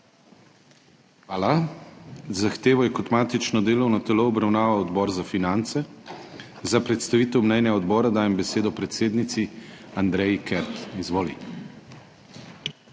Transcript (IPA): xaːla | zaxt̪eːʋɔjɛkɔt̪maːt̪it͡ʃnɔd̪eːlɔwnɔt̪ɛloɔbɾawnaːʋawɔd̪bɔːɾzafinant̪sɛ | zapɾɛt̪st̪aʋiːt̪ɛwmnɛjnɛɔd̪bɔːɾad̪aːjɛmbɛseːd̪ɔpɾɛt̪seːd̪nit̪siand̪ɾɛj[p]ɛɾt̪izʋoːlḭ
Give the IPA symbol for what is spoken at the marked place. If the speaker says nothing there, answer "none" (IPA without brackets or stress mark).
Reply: k